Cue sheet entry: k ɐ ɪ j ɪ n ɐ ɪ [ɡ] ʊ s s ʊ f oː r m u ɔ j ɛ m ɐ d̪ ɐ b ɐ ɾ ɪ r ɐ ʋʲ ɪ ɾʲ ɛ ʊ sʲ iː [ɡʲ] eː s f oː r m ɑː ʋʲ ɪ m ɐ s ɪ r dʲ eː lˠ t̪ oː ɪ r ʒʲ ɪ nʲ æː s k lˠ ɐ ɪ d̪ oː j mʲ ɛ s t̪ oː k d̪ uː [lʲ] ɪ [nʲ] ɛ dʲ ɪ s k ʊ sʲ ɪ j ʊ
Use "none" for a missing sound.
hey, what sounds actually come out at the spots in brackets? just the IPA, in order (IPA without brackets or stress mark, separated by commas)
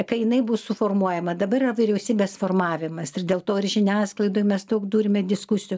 b, bʲ, ɾʲ, mʲ